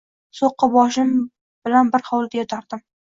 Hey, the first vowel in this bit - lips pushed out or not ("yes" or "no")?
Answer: yes